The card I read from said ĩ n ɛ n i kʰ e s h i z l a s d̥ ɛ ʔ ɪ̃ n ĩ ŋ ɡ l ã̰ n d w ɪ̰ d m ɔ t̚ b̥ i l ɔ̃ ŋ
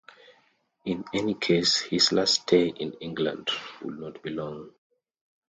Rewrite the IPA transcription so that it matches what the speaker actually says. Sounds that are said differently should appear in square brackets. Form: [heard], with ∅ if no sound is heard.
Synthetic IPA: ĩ n ɛ n i kʰ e s h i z l a s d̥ [e] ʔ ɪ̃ n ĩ ŋ ɡ l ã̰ n d w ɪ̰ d [n] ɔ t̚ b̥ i l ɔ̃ ŋ